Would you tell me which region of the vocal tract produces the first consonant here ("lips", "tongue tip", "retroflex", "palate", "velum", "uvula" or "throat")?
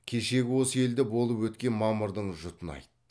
velum